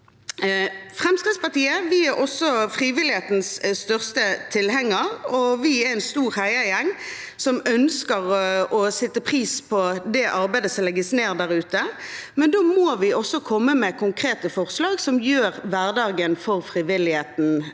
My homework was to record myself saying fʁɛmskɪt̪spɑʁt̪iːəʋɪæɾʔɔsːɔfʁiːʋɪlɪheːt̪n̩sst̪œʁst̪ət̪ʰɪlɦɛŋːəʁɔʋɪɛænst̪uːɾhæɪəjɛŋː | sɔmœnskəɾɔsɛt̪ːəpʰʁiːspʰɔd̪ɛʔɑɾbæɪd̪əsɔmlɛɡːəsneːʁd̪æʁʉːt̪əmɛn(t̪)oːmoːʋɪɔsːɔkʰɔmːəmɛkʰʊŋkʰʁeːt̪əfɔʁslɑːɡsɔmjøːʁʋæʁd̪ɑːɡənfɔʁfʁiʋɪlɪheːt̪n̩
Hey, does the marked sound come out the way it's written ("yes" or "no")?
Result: no